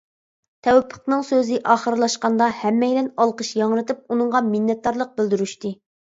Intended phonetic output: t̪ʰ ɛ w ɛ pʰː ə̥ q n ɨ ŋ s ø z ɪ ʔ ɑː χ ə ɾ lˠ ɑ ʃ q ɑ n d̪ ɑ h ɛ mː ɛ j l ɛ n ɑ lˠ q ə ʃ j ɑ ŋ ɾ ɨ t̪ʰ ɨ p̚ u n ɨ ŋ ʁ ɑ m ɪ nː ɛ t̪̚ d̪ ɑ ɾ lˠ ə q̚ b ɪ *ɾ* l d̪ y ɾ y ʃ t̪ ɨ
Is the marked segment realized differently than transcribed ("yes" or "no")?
yes